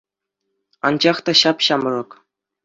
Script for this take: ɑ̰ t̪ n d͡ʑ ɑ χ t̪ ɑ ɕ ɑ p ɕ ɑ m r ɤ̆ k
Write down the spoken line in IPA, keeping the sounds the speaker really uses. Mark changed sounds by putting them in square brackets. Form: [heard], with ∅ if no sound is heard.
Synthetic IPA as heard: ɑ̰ [∅] n d͡ʑ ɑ χ t̪ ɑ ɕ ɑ p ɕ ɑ m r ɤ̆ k